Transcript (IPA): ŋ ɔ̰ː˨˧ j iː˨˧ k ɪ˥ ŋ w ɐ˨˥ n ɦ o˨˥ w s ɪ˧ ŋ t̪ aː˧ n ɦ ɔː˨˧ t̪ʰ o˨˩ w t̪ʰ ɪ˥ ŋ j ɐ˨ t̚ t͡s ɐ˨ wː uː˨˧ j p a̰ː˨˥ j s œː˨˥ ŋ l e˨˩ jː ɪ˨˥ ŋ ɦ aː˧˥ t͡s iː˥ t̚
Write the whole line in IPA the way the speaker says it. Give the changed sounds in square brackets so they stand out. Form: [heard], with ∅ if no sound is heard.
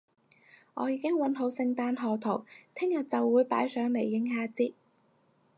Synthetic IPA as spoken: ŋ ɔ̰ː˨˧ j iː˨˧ k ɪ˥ ŋ w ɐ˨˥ n ɦ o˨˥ w s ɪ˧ ŋ t̪ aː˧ n ɦ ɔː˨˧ t̪ʰ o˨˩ w t̪ʰ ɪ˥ ŋ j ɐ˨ t̚ t͡s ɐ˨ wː uː˨˧ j p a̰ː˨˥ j s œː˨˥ ŋ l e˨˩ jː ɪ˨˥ ŋ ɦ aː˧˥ t͡s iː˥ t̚

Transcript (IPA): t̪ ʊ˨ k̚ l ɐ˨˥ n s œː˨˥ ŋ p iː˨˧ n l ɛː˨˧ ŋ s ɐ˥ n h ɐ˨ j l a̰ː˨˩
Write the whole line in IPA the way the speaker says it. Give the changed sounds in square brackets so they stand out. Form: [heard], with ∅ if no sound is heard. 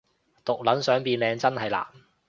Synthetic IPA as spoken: t̪ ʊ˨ k̚ l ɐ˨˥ n s œː˨˥ ŋ p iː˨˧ n l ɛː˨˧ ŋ [t͡s] ɐ˥ n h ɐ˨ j l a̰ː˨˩

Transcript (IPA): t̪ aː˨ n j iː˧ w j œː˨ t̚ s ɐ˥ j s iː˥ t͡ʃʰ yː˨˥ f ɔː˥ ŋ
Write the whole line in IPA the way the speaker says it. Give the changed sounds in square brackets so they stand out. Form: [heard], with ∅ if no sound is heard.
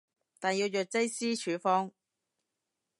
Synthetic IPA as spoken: t̪ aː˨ n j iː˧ w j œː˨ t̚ [t͡s] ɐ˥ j s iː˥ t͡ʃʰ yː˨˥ f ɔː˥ ŋ

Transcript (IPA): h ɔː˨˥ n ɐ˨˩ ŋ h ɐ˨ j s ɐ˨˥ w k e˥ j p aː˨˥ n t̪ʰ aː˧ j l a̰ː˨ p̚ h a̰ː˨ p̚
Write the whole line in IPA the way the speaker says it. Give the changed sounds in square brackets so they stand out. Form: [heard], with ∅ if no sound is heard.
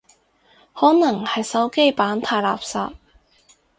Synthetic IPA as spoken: h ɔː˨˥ n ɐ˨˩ ŋ h ɐ˨ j s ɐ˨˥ w k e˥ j p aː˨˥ n t̪ʰ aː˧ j l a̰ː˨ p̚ [s] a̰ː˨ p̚

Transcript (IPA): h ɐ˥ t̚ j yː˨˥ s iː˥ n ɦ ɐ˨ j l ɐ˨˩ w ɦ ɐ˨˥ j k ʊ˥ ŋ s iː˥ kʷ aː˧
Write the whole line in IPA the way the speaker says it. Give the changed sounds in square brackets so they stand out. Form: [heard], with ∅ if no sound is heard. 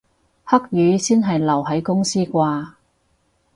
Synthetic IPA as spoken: h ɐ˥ [k̚] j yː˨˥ s iː˥ n ɦ ɐ˨ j l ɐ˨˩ w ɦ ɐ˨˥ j k ʊ˥ ŋ s iː˥ kʷ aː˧

